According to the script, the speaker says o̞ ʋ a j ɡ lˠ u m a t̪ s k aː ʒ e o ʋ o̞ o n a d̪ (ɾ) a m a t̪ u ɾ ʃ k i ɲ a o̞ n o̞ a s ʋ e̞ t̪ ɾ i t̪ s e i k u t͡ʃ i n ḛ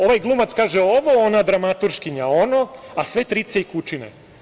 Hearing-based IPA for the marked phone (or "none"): ɾ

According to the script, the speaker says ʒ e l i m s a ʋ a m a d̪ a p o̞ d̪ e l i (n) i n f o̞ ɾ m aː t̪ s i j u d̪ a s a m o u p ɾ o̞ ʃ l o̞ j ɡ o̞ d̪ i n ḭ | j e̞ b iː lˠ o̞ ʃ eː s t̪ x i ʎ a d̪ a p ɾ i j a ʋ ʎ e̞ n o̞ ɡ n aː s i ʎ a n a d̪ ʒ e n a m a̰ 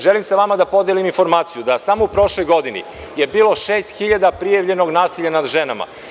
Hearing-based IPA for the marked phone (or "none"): m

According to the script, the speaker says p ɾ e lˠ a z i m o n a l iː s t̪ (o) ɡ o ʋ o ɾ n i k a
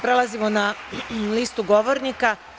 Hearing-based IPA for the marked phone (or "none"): u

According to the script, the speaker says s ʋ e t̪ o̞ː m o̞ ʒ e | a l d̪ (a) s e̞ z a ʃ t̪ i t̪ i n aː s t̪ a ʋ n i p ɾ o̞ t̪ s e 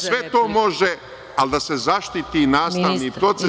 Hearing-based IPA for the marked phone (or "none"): a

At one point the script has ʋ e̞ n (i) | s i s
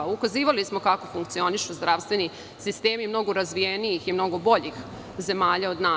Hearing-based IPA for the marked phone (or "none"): i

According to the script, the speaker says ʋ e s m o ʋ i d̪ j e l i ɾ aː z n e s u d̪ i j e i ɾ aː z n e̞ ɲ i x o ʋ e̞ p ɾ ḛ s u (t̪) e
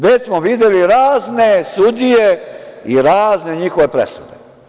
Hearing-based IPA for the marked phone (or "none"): d̪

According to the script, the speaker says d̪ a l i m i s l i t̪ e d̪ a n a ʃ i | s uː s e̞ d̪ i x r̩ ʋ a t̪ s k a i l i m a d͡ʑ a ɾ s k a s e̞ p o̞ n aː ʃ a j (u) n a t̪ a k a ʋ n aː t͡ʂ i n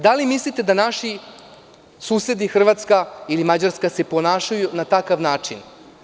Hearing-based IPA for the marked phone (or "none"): u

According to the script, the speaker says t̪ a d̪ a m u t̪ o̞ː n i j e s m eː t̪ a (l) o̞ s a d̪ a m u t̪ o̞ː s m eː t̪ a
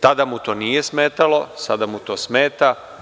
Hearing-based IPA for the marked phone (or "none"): l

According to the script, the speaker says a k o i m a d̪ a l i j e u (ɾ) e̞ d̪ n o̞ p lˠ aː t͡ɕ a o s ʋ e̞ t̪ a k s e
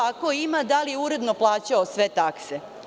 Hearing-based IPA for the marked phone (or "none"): ɾ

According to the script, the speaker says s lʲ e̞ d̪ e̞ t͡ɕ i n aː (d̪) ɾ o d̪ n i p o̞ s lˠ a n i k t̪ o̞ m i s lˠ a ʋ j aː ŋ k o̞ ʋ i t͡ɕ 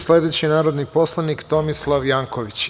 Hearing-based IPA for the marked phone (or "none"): none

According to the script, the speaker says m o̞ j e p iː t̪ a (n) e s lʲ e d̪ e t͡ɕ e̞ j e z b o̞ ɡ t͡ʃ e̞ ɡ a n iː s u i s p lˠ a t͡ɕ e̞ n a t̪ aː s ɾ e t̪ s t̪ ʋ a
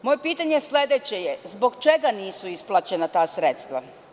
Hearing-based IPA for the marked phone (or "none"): ɲ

